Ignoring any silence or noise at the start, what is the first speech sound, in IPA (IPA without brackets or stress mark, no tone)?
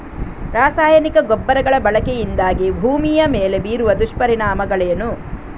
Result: ɾ